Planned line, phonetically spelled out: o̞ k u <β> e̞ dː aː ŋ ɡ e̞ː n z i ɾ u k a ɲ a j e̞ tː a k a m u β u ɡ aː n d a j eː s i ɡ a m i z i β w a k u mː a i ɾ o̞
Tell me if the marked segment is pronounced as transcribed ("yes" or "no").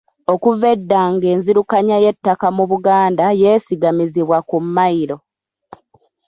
no